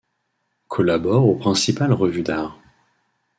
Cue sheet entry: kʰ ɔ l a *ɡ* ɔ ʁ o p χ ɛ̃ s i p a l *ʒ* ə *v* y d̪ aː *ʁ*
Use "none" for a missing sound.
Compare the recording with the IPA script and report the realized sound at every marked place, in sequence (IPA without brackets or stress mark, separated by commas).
b, ʁ, v, ʁ